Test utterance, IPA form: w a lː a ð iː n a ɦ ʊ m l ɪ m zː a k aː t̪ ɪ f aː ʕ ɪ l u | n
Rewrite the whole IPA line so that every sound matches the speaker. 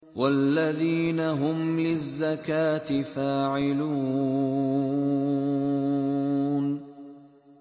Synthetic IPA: w a lː a ð iː n a ɦ ʊ m l ɪ zː a k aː t̪ ɪ f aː ʕ ɪ l uː | n